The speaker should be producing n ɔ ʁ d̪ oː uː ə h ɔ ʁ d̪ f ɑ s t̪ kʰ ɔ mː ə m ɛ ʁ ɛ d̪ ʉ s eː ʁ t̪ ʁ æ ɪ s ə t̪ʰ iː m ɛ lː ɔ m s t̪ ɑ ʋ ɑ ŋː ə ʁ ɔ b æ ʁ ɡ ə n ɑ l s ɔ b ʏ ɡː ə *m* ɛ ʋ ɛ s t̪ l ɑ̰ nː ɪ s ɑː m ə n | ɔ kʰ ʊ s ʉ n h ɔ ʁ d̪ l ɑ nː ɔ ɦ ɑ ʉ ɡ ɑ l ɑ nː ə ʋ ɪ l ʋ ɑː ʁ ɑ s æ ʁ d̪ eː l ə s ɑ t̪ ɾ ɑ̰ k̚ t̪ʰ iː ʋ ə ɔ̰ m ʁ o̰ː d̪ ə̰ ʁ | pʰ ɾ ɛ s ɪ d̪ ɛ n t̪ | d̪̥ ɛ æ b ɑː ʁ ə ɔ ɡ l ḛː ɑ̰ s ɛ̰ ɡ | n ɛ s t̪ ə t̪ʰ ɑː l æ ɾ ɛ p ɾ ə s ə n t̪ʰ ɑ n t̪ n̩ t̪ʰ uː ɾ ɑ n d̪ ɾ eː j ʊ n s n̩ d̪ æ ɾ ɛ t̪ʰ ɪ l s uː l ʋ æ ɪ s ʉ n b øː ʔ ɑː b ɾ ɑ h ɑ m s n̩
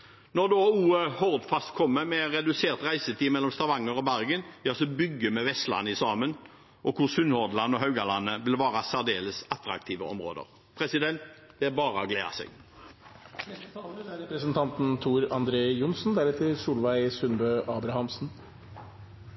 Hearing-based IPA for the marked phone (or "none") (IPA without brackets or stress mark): m